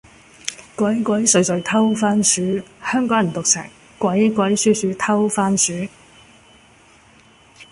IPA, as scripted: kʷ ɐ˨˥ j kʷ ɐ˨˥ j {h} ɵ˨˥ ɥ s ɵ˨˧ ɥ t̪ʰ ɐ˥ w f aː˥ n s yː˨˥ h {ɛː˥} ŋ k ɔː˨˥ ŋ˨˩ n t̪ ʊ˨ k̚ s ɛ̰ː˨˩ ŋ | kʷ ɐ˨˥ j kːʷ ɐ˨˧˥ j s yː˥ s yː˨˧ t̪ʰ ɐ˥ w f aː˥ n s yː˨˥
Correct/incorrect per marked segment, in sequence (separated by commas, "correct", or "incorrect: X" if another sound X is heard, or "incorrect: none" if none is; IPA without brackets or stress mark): incorrect: s, incorrect: œː˥